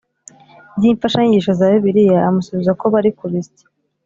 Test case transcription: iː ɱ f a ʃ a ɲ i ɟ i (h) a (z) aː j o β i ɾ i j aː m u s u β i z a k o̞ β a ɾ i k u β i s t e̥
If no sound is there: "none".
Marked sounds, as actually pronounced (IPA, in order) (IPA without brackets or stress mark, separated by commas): ʃ, z